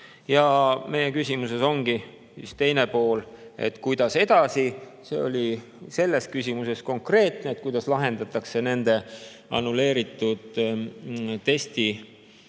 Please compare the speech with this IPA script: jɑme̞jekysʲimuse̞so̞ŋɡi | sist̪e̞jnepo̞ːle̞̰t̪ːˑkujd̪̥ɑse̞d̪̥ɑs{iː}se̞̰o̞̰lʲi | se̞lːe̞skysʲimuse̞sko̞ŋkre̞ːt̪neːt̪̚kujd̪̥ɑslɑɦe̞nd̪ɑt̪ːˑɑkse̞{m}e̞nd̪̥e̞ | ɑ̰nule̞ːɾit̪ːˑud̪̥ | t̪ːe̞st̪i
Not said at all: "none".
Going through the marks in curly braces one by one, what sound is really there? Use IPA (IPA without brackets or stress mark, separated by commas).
i, n